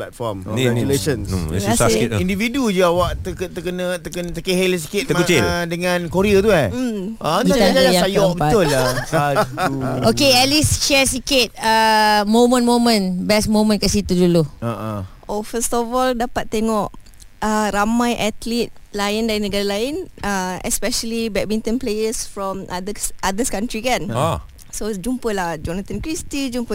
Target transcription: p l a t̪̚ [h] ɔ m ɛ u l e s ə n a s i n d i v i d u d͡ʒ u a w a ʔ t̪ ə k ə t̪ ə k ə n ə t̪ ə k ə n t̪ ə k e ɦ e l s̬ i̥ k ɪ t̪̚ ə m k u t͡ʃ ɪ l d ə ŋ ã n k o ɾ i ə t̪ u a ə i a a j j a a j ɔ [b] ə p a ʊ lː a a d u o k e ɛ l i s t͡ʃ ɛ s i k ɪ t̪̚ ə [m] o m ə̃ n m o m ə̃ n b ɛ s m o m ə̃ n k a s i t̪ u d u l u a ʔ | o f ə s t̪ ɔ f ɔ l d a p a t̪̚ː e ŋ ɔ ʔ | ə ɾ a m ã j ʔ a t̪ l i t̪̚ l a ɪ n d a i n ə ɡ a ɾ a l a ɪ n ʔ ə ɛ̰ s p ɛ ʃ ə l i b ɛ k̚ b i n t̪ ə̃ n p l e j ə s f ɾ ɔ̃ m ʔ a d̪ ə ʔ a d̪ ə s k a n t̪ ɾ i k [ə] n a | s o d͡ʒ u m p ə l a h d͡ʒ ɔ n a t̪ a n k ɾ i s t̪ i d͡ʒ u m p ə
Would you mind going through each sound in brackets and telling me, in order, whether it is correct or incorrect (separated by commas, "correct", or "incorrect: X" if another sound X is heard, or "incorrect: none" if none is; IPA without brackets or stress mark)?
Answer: incorrect: f, correct, correct, incorrect: a